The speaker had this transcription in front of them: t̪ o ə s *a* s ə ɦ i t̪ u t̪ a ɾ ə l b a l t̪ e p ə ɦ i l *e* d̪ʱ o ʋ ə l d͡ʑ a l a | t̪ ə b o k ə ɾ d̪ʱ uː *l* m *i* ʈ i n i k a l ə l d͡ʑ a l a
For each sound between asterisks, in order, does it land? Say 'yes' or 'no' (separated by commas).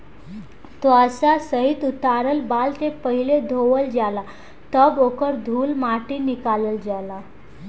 yes, yes, yes, no